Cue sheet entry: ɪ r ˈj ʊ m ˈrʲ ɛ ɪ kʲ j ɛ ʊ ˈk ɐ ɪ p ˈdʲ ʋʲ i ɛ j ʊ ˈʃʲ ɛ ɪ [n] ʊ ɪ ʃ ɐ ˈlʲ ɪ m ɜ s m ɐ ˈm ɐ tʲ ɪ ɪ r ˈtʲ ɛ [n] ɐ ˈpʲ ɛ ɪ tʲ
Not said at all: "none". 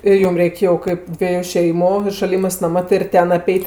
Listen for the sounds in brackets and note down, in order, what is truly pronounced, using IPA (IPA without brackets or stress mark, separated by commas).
m, n